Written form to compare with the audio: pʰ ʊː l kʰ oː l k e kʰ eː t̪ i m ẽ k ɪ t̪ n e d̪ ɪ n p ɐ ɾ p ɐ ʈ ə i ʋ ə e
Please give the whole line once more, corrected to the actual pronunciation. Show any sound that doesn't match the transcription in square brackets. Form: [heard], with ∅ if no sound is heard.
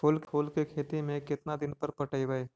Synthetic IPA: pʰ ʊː l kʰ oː l k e kʰ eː t̪ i m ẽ k ɪ t̪ n [a] d̪ ɪ n p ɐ ɾ p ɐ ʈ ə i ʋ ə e

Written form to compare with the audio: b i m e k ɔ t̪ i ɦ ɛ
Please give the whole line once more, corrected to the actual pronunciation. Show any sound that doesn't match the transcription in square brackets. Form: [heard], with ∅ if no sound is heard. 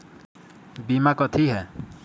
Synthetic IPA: b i m [a] k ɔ [t̪ʰ] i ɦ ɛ

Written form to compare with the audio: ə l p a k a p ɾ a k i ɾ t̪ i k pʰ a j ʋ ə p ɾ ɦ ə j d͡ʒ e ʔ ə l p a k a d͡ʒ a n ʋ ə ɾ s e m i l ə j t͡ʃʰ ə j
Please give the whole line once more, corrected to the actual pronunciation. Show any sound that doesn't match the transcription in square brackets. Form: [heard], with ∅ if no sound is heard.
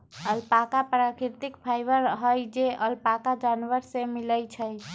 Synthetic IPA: ə l p a k a p ɾ a k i ɾ t̪ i k pʰ a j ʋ ə [∅] ɾ ɦ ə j d͡ʒ e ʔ ə l p a k a d͡ʒ a n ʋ ə ɾ s e m i l ə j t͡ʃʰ ə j

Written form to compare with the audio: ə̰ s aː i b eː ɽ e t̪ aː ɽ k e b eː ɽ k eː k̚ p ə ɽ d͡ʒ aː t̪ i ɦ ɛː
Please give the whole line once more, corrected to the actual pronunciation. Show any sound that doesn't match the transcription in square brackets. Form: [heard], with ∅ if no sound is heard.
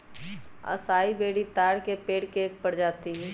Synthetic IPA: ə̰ s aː i b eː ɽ [i] t̪ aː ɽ k e [p] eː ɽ k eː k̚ p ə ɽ d͡ʒ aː t̪ i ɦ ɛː

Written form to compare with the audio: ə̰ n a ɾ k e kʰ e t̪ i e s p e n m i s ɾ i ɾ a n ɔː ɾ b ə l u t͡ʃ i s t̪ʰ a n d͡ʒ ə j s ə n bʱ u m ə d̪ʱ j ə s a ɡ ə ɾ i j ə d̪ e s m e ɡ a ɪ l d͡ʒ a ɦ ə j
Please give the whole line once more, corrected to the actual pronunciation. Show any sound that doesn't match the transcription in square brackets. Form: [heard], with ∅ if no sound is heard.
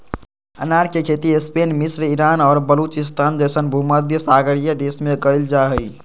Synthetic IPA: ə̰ n a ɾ k e kʰ e t̪ i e s p e n m i s ɾ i ɾ a n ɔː ɾ b ə l u t͡ʃ i s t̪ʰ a n d͡ʒ ə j s ə n bʱ u m ə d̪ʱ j ə s a ɡ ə ɾ i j ə d̪ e s m e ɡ [ə] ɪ l d͡ʒ a ɦ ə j

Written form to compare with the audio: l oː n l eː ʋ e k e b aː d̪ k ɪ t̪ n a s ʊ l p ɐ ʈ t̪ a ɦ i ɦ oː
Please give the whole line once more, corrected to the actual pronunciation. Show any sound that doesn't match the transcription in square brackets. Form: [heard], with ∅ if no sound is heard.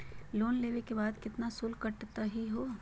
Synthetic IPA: l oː n l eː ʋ e k e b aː d̪ k ɪ t̪ n a s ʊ l [k] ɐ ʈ t̪ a ɦ i ɦ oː

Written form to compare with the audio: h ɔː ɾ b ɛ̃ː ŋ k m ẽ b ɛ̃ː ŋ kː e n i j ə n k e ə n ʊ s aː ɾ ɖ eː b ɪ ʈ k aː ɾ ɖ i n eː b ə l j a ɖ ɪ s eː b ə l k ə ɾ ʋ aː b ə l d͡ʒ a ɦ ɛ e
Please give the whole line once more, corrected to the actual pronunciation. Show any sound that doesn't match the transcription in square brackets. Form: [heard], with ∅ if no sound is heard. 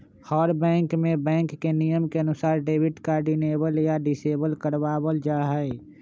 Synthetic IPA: h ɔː ɾ b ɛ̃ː ŋ k m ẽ b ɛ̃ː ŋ kː e n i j ə [m] k e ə n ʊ s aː ɾ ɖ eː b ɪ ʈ k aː ɾ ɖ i n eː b ə l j a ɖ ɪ s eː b ə l k ə ɾ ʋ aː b ə l d͡ʒ a ɦ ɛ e

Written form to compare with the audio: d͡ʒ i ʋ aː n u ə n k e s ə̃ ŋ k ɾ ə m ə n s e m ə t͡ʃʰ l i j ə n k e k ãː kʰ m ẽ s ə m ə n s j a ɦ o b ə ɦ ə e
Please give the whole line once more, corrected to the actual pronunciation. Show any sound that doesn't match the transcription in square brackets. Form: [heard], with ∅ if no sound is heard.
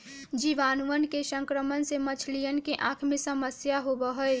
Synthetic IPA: d͡ʒ i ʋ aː n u ə n k e s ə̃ ŋ k ɾ ə m ə n s e m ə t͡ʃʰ l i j ə n k e [ʔ] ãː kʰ m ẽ s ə m ə [∅] s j a ɦ o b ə ɦ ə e

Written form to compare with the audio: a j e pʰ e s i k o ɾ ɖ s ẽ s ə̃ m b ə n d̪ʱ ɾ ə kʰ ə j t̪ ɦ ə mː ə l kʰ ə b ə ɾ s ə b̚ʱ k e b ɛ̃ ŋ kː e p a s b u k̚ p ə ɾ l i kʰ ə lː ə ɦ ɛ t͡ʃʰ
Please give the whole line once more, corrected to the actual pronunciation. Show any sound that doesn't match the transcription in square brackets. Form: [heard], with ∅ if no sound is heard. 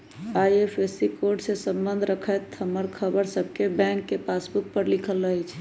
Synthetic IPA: a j e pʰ e s i k o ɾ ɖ s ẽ s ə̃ m b ə n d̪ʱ ɾ ə kʰ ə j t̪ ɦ ə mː ə [ɾ] kʰ ə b ə ɾ s ə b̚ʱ k e b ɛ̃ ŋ kː e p a s b u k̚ p ə ɾ l i kʰ ə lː ə ɦ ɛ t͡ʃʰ

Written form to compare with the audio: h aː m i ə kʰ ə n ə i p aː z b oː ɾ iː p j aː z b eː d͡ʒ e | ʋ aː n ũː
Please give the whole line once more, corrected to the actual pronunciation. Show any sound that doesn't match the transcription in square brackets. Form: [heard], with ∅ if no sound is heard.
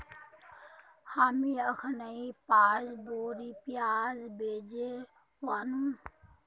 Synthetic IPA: h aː m i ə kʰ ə n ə i p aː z b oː ɾ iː p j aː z b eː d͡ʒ e | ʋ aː n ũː

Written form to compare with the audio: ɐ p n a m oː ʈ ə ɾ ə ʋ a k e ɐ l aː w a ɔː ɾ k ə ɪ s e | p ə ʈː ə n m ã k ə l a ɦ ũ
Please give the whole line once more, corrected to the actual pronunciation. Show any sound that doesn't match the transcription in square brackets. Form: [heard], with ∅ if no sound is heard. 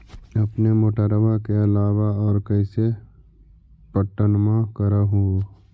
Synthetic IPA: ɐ p n [e] m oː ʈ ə ɾ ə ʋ a k e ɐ l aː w a ɔː ɾ k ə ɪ s e | p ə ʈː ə n m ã k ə [ɾ] a ɦ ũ

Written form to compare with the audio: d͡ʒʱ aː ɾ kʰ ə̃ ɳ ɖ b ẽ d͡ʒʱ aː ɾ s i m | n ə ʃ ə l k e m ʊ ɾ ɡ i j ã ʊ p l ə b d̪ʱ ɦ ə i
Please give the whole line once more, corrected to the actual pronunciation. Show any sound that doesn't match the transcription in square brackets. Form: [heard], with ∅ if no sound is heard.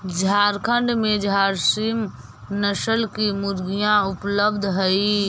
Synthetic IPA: d͡ʒʱ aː ɾ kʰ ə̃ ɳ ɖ [m] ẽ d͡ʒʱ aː ɾ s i m | n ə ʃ ə l k [i] m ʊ ɾ ɡ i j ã ʊ p l ə b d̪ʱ ɦ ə i

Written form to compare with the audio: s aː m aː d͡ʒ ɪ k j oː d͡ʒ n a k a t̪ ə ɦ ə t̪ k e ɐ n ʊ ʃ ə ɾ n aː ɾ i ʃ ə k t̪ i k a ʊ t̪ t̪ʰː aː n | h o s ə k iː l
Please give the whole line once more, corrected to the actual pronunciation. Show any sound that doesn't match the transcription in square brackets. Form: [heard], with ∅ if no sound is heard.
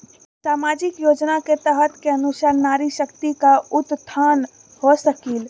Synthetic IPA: s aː m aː d͡ʒ ɪ k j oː d͡ʒ n a k [e] t̪ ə ɦ ə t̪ k e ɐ n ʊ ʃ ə ɾ n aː ɾ i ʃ ə k t̪ i k a ʊ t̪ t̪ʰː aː n | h o s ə k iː l

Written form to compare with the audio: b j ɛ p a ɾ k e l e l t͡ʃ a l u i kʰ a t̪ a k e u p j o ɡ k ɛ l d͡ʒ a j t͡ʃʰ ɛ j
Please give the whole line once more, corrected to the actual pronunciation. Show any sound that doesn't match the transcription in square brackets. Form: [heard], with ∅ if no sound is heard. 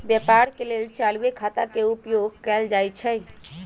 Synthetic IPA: b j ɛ p a ɾ k e l e l t͡ʃ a l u [e] kʰ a t̪ a k e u p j o ɡ k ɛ l d͡ʒ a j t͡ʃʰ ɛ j

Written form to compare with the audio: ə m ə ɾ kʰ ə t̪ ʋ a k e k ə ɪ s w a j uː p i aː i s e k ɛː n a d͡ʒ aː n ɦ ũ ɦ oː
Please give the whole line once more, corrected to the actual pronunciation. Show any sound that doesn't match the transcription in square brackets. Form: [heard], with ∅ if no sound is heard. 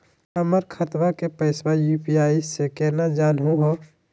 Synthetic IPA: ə m ə ɾ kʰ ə t̪ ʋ a k e [p] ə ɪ s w a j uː p i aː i s e k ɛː n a d͡ʒ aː n ɦ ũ ɦ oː

